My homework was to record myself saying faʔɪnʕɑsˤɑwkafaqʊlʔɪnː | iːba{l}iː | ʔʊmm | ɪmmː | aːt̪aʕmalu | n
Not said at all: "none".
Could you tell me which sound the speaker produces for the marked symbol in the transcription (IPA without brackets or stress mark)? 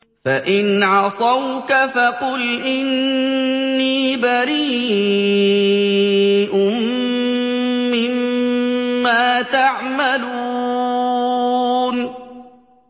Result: ɾ